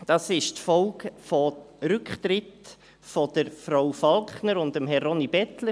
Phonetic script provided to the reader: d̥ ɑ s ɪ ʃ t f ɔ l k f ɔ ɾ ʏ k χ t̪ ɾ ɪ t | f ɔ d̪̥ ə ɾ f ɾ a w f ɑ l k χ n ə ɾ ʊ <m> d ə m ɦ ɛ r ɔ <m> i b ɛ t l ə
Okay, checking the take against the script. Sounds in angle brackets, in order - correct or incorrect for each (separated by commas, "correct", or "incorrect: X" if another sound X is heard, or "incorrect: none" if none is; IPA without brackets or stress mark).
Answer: incorrect: n, incorrect: n